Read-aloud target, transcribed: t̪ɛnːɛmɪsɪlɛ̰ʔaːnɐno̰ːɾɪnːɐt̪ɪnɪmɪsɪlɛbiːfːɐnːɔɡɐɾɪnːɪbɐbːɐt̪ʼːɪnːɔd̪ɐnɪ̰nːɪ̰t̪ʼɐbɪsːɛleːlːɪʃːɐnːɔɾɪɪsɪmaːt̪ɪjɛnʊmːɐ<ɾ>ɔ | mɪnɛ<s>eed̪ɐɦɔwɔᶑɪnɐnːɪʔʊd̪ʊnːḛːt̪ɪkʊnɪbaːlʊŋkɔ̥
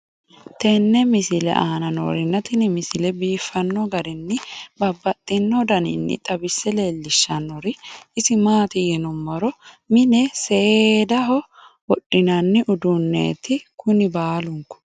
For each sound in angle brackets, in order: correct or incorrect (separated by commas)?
correct, correct